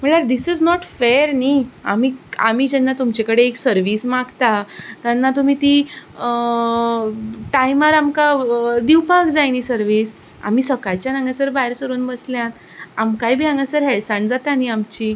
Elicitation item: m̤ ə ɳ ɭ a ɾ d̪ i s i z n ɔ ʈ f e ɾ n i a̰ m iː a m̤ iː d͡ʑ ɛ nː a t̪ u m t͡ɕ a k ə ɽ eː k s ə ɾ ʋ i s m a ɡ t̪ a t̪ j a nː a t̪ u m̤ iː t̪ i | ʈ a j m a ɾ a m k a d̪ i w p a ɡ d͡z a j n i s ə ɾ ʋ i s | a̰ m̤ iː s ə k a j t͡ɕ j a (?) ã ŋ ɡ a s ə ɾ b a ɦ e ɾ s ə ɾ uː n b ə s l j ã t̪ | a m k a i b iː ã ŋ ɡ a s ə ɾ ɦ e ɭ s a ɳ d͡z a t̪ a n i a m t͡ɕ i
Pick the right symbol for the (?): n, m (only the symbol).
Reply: n